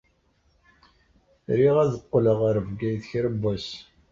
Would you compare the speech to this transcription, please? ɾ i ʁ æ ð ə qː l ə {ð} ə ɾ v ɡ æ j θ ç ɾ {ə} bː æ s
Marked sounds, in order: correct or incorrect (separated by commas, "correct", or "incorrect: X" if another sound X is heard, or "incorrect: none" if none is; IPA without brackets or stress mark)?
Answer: incorrect: ʁ, correct